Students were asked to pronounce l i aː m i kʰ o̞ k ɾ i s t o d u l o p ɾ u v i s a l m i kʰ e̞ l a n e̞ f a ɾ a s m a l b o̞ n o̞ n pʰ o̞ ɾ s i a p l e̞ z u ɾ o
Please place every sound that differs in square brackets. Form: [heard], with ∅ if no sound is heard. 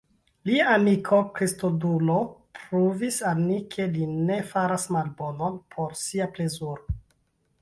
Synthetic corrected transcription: l i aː m i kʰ o̞ k ɾ i s t o d u l o p ɾ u v i s a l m i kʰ e̞ l [i] n e̞ f a ɾ a s m a l b o̞ n o̞ n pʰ o̞ ɾ s i a p l e̞ z u ɾ o